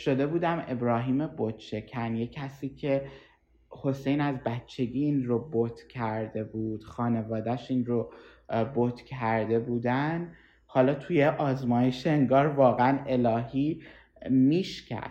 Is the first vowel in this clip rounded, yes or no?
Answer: yes